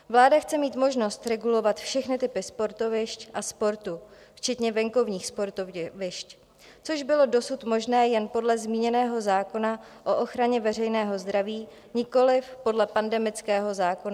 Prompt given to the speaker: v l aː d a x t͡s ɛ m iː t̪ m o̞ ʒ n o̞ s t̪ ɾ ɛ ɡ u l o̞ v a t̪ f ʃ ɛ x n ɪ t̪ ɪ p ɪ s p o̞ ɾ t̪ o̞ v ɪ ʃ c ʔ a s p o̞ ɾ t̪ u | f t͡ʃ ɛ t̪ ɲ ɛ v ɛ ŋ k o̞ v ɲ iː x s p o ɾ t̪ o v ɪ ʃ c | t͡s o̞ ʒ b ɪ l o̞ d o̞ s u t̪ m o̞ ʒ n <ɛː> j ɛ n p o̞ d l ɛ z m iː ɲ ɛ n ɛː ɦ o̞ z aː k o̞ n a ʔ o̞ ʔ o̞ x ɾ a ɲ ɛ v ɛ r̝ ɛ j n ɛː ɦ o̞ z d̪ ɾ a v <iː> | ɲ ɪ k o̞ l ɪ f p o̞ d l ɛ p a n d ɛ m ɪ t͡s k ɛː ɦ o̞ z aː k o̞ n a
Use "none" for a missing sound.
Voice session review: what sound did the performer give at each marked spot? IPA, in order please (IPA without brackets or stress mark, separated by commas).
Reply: ɛː, iː